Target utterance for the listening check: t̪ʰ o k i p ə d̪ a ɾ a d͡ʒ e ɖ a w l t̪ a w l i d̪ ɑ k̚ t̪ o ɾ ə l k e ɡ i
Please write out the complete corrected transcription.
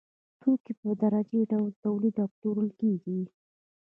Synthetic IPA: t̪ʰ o k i p ə d̪ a ɾ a d͡ʒ e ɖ a w l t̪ a w l i d̪ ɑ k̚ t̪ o ɾ ə l k e ɡ i

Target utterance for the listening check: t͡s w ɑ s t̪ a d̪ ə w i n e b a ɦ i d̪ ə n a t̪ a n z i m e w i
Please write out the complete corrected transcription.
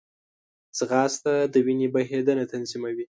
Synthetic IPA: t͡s ɣ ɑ s t̪ a d̪ ə w i n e b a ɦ e d̪ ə n a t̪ a n z i m a w i

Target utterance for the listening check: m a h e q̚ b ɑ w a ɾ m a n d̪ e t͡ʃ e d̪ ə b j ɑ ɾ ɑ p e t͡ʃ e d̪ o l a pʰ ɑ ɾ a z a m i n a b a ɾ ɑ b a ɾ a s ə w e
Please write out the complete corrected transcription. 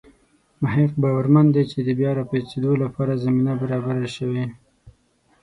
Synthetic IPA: m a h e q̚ b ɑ w a ɾ m a n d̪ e t͡ʃ e d̪ ə b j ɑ ɾ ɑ p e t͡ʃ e d̪ o l a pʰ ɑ ɾ a z a m i n a b a ɾ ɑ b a ɾ a ʃ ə w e

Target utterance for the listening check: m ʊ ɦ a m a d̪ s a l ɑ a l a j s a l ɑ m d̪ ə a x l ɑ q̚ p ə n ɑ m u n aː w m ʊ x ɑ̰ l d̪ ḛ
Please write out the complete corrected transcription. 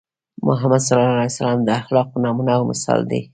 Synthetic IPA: m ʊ ɦ a m a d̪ s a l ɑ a l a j s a l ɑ m d̪ ə a x l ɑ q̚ p ə n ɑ m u n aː w m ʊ s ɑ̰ l d̪ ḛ

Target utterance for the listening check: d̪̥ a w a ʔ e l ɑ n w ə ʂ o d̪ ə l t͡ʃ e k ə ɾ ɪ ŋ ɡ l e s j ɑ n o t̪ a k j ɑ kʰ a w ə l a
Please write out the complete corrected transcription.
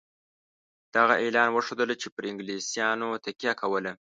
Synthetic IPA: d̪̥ a ɣ a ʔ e l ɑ n w ə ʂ o d̪ ə l t͡ʃ e p ə ɾ ɪ ŋ ɡ l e s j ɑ n o t̪ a k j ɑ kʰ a w ə l a

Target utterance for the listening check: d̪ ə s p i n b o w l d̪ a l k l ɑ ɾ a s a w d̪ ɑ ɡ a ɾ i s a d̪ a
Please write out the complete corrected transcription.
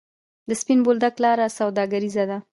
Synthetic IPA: d̪ ə s p i n b o l d̪ a k l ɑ ɾ a s a w d̪ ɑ ɡ a ɾ i z a d̪ a

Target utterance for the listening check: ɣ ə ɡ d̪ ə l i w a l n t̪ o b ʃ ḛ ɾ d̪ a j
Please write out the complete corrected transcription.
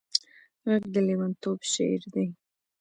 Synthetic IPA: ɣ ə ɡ d̪ ə l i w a n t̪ o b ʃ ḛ ɾ d̪ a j

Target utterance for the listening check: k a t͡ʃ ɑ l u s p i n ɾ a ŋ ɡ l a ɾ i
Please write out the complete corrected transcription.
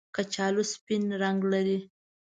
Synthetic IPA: k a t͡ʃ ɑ l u s p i n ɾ a ŋ ɡ l a ɾ i

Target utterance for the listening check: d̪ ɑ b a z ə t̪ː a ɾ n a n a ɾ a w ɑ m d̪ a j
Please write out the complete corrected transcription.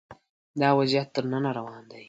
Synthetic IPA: d̪ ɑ w a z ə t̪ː ə ɾ n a n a ɾ a w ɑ n d̪ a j

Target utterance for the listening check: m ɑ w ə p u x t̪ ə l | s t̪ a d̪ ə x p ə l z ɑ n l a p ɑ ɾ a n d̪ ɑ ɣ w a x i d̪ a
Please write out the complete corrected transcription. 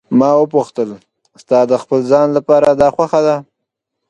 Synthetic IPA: m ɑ w ə p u x t̪ ə l | s t̪ ɑ d̪ ə x p ə l z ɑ n l a p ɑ ɾ a d̪ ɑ x w a x a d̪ a

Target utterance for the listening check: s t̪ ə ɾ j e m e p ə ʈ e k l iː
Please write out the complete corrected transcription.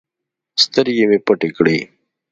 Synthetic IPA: s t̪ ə ɾ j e m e p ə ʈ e k ɽ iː

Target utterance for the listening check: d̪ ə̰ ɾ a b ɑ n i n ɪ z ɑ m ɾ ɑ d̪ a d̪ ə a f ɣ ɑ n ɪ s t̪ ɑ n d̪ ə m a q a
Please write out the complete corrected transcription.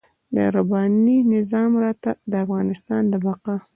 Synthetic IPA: d̪ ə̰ ɾ a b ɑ n i n ɪ z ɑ m ɾ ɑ t̪ a d̪ ə a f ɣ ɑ n ɪ s t̪ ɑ n d̪ ə b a q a

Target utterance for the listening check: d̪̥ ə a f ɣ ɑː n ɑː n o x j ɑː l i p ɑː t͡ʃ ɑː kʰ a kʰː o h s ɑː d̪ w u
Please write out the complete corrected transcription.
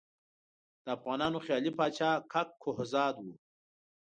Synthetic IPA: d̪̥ ə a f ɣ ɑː n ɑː n o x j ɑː l i p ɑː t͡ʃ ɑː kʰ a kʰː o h z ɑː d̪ w u

